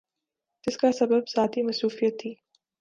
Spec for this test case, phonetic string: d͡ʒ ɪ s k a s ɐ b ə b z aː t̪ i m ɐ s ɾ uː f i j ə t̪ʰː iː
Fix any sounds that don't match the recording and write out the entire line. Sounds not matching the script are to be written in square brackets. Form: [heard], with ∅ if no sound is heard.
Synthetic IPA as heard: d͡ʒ ɪ s k a s ɐ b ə b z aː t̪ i m ɐ s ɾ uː f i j ə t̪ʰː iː